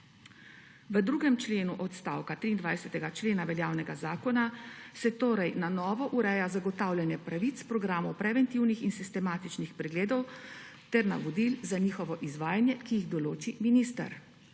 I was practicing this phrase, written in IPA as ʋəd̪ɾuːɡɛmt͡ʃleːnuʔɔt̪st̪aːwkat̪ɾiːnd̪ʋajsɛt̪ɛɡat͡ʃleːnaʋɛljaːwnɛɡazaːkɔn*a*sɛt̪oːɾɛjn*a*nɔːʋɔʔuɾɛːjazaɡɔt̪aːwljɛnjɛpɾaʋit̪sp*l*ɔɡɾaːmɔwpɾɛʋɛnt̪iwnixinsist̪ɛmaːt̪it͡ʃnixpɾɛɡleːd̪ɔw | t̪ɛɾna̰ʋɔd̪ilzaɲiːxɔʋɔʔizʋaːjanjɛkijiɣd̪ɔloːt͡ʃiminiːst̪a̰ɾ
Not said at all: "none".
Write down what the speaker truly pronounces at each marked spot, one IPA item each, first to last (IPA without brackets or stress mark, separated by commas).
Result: a, a, ɾ